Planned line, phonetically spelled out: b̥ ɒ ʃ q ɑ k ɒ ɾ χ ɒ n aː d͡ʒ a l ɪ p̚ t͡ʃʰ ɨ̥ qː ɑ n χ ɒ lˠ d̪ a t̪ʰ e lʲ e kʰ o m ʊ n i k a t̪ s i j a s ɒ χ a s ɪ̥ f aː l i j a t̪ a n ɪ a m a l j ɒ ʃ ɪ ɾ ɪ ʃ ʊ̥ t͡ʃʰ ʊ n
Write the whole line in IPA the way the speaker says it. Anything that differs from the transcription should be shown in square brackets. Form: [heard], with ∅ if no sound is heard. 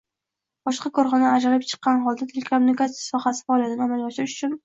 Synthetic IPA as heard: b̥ ɒ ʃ q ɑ k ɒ ɾ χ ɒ n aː d͡ʒ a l ɪ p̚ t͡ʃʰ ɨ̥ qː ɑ n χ ɒ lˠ d̪ a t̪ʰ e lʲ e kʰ o m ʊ n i k a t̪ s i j a s ɒ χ a s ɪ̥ f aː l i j a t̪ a n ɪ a m a l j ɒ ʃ ɪ ɾ ɪ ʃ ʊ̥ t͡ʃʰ ʊ n